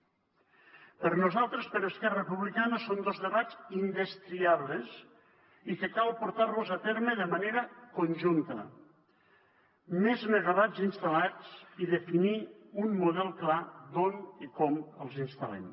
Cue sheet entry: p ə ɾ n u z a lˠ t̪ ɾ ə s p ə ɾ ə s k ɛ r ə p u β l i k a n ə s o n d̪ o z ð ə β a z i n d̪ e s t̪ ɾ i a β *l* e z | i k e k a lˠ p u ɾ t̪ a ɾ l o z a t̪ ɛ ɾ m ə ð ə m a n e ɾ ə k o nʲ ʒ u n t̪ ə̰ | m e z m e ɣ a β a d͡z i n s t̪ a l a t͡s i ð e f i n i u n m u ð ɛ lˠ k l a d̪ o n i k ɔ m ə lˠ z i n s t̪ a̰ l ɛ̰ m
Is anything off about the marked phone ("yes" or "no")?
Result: no